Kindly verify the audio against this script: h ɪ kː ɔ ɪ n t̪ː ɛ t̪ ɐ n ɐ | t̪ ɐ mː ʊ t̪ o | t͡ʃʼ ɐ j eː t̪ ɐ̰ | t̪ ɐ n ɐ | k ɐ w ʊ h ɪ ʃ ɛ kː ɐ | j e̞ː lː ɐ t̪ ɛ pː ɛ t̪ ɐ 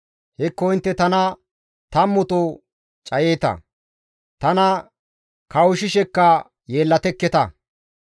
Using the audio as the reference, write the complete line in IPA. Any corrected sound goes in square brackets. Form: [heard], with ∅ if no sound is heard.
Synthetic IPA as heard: h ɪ kː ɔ ɪ n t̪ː ɛ t̪ ɐ n ɐ | t̪ ɐ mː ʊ t̪ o | t͡ʃʼ ɐ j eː t̪ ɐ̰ | t̪ ɐ n ɐ | k ɐ w ʊ [ʃ] ɪ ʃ ɛ kː ɐ | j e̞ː lː ɐ t̪ ɛ [kː] ɛ t̪ ɐ